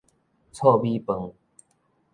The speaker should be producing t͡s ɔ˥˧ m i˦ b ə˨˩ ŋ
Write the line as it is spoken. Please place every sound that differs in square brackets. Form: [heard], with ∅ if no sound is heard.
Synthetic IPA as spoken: [t͡sʰ] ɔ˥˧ [b] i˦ [p] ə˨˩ ŋ